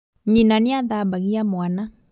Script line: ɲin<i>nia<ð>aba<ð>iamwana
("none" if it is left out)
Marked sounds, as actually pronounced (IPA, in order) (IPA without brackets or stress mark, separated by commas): a, ð, ɣ